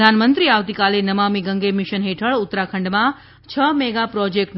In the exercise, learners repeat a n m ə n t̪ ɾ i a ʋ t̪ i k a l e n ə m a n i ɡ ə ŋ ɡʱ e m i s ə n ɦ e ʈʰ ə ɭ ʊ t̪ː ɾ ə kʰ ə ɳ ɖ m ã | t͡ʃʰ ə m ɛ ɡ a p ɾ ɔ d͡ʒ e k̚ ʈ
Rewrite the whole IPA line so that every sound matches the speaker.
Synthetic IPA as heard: a n m ə n t̪ ɾ i a ʋ t̪ i k a l e n ə m a m i ɡ ə ŋ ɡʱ e m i ʃ ə n ɦ e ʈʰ ə ɭ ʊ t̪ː ɾ a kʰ ə ɳ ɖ m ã | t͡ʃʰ ə m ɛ ɡ a p ɾ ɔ d͡ʒ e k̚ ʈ

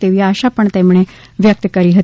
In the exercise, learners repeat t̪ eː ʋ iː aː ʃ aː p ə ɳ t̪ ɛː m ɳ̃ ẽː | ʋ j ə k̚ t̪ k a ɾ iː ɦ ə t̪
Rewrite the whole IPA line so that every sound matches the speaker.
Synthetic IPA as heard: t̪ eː ʋ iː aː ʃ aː p ə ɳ t̪ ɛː m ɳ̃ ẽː | ʋ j ə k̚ t̪ k ə ɾ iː ɦ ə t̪

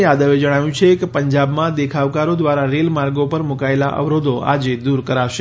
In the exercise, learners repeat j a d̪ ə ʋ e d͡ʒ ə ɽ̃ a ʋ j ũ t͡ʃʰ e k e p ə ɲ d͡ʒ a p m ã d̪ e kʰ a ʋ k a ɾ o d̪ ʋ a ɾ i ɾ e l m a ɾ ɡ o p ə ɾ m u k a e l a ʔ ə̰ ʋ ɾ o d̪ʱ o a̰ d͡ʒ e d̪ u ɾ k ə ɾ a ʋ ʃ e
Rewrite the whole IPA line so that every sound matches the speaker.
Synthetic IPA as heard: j a d̪ ə ʋ e d͡ʒ ə ɽ̃ a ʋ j ũ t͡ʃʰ e k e p ə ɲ d͡ʒ a b m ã d̪ e kʰ a ʋ k a ɾ o d̪ ʋ a ɾ a ɾ e l m a ɾ ɡ o p ə ɾ m u k a e l a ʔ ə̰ ʋ ɾ o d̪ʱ o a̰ d͡ʒ e d̪ u ɾ k ə ɾ a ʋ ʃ e

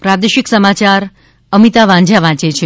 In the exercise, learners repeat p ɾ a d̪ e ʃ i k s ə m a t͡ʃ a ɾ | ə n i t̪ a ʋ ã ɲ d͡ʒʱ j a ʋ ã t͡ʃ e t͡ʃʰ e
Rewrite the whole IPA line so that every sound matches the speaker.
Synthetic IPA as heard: p ɾ a d̪ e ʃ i k s ə m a t͡ʃ a ɾ | ə m i t̪ a ʋ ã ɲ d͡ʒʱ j a ʋ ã t͡ʃ e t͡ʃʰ e

